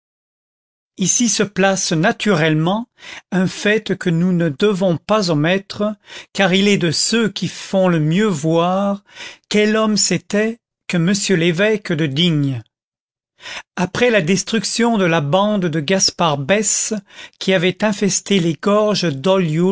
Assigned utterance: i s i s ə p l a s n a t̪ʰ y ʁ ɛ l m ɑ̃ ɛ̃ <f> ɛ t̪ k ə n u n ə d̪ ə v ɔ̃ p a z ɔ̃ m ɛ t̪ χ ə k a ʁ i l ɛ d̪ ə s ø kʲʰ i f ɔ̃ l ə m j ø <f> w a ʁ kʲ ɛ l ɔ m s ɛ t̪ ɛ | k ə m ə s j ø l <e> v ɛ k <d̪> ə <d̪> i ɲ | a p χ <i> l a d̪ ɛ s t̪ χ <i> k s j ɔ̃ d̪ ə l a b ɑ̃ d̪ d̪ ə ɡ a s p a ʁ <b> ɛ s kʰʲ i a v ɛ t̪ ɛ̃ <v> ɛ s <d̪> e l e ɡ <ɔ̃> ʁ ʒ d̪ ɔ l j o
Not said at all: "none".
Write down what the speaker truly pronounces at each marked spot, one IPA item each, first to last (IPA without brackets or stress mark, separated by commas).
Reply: f, v, e, d̪, d̪, ɛ, y, b, f, t̪, ɔ